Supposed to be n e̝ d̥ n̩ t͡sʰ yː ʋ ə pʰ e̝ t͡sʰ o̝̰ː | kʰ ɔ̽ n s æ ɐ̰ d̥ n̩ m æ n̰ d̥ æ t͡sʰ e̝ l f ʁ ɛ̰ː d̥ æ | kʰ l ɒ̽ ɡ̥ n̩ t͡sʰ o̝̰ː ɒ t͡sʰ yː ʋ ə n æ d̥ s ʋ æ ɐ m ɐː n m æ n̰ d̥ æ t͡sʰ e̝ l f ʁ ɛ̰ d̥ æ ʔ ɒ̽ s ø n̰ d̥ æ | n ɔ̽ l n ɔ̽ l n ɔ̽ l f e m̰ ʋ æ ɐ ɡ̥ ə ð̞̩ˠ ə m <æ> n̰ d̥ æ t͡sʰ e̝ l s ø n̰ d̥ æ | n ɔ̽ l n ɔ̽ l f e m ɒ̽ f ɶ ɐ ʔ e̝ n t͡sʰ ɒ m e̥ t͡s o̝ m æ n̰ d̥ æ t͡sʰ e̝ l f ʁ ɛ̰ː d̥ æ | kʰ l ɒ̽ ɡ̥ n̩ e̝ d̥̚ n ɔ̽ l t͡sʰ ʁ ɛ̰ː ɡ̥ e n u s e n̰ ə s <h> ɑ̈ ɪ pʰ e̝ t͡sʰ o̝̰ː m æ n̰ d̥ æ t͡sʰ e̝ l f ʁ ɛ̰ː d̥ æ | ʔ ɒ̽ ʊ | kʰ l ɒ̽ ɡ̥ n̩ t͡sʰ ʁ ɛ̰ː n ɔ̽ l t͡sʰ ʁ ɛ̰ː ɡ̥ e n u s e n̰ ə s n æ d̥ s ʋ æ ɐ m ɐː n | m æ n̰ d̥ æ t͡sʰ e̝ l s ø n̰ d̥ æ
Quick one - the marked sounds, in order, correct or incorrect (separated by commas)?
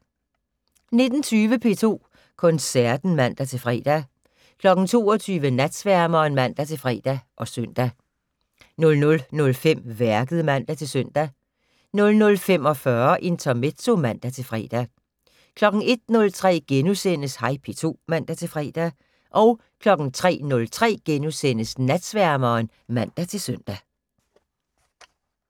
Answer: correct, correct